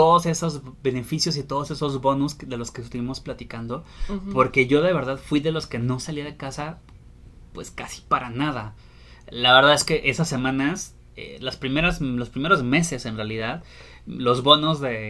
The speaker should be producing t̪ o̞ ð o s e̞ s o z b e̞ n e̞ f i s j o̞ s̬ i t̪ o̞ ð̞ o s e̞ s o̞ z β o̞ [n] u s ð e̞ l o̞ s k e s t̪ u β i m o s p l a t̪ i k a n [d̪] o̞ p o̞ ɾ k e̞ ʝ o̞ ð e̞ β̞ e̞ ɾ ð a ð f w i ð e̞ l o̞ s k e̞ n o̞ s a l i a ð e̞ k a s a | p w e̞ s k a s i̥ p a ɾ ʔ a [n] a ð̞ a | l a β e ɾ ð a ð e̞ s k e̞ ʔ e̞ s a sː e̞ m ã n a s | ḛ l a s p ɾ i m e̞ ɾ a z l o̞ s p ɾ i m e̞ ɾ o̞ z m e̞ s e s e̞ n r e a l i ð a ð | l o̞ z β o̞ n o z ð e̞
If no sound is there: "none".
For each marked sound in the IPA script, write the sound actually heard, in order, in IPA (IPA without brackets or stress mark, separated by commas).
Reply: n, d̪, n